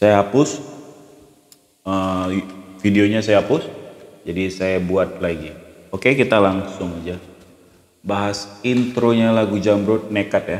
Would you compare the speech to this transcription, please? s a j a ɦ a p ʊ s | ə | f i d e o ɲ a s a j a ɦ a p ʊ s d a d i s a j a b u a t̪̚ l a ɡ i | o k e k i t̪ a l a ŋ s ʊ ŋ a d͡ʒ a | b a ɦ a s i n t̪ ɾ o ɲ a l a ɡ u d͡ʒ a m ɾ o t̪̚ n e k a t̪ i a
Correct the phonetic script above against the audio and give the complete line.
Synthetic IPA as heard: s a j a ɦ a p ʊ s | ə | f i d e o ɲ a s a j a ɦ a p ʊ s d͡ʒ a d i s a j a b u a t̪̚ l a ɡ i | o k e k i t̪ a l a ŋ s ʊ ŋ a d͡ʒ a | b a ɦ a s i n t̪ ɾ o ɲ a l a ɡ u d͡ʒ a m ɾ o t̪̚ n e k a t̪ j a